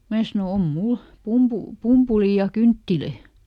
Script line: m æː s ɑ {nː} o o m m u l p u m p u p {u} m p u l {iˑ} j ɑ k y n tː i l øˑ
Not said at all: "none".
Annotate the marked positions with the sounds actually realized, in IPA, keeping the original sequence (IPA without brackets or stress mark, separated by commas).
n, u, iˑ